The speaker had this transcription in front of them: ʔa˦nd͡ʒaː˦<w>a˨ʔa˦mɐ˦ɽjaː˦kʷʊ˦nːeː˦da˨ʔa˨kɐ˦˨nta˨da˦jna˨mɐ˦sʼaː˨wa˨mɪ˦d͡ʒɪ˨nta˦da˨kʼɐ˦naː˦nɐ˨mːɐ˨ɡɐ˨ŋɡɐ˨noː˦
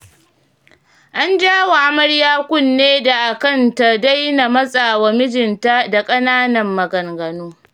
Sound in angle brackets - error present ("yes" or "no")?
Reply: no